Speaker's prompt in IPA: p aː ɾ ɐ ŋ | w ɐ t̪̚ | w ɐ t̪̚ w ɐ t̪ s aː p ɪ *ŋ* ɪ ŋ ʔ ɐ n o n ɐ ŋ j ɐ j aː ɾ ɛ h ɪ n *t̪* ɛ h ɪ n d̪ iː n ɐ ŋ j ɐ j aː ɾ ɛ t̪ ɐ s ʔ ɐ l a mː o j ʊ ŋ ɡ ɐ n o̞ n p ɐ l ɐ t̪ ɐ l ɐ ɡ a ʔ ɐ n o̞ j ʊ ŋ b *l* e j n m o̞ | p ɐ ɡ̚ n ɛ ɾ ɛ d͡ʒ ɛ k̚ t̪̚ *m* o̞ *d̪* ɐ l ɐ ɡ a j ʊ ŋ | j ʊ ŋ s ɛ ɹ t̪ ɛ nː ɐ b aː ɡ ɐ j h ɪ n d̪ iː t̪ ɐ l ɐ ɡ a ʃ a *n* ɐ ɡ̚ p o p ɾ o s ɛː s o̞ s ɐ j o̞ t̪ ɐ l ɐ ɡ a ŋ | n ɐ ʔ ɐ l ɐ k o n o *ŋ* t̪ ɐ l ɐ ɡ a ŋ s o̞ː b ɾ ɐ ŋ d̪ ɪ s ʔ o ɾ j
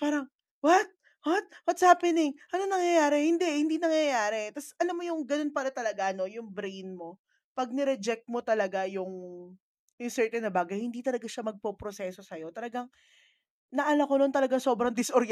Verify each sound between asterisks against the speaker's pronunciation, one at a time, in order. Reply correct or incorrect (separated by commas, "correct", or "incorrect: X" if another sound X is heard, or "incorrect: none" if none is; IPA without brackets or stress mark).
incorrect: n, incorrect: d̪, incorrect: ɾ, correct, incorrect: t̪, incorrect: m, incorrect: n